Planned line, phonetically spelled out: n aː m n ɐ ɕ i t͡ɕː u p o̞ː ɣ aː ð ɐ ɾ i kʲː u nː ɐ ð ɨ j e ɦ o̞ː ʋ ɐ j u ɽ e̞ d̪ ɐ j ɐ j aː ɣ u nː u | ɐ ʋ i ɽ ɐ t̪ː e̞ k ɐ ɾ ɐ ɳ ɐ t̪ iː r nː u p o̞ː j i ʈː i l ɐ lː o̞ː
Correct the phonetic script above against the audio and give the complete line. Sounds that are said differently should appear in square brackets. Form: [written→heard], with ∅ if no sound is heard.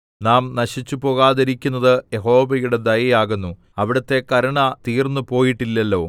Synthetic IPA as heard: n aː m n ɐ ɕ i t͡ɕː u p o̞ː ɣ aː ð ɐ ɾ i kʲː u nː ɐ ð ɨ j e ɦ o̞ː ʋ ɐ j u ɽ e̞ d̪ ɐ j ɐ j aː ɣ u nː u | ɐ ʋ i ɽ ɐ t̪ː e̞ k ɐ ɾ ɐ ɳ ɐ t̪ iː r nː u p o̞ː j i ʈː i [l→lː] ɐ lː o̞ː